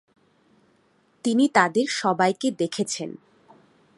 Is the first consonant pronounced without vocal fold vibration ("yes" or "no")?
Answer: yes